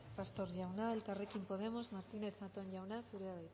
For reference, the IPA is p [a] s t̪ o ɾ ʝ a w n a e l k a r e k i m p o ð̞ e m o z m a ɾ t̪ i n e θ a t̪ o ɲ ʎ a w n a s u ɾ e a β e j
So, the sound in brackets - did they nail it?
yes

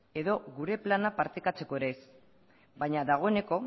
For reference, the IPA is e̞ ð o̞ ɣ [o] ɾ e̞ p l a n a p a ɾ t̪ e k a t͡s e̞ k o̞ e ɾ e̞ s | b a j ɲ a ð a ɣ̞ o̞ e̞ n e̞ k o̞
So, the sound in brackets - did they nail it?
no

